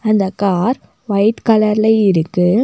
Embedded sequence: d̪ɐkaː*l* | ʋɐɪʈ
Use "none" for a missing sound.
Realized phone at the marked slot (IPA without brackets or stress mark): ɾ